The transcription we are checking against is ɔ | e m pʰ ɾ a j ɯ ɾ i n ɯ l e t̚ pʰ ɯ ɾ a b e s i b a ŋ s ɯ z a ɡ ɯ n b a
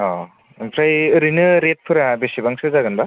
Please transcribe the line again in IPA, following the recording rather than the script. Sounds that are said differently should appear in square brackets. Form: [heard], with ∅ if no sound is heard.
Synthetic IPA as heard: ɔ | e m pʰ ɾ a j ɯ ɾ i n ɯ [ɾ] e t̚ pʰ ɯ ɾ a b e s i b a ŋ s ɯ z a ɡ ɯ n b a